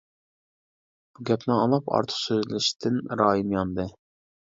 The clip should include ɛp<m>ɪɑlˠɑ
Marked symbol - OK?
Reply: no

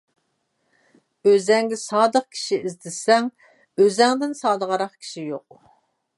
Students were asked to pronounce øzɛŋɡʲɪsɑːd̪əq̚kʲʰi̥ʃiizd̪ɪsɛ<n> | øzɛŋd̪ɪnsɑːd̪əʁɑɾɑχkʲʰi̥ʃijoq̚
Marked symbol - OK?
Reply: no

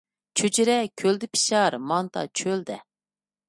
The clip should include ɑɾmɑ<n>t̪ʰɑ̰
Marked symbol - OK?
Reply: yes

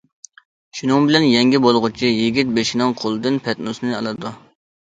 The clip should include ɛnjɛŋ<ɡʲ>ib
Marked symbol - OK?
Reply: yes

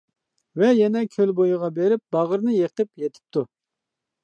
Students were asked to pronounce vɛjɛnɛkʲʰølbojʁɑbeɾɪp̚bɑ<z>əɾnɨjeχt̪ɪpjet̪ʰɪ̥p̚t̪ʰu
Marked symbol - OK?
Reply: no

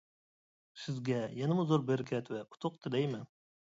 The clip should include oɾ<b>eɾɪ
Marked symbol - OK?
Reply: yes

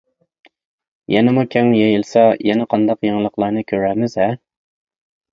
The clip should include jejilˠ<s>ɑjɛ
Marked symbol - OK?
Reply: yes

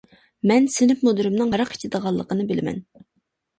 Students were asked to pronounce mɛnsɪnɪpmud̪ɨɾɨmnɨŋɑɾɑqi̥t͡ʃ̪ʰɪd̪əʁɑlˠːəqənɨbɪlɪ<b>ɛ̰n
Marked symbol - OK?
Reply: no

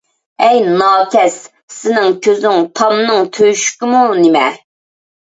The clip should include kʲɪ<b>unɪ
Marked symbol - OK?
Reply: no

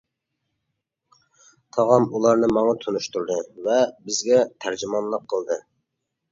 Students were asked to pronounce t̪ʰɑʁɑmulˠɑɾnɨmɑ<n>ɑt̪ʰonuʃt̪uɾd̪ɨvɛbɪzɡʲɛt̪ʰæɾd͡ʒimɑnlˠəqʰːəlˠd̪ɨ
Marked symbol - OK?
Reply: no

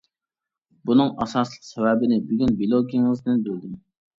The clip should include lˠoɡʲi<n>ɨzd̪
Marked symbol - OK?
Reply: no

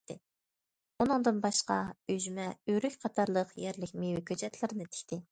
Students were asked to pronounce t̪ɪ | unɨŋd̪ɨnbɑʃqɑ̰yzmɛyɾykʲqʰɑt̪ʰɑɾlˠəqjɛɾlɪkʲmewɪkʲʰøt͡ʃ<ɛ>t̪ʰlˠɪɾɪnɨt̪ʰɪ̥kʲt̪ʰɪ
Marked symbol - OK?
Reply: yes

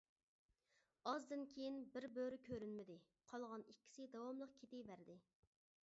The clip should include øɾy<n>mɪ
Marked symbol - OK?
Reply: yes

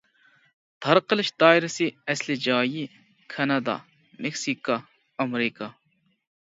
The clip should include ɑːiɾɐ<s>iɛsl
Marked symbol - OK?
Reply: yes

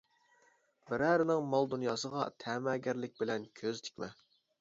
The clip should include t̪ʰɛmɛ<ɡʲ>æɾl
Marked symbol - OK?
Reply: yes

